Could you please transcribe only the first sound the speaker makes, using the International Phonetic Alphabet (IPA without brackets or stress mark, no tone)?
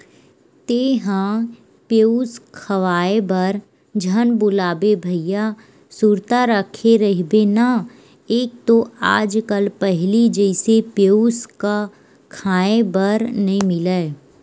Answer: t̪